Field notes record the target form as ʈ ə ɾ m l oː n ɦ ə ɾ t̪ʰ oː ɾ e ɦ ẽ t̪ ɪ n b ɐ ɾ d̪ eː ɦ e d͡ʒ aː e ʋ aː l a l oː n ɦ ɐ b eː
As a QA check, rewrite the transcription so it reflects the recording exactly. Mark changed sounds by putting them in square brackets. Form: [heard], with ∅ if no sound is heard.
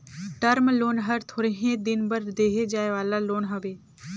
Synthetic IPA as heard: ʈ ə ɾ m l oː n ɦ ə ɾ t̪ʰ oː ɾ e ɦ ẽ [d̪] ɪ n b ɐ ɾ d̪ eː ɦ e d͡ʒ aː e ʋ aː l a l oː n ɦ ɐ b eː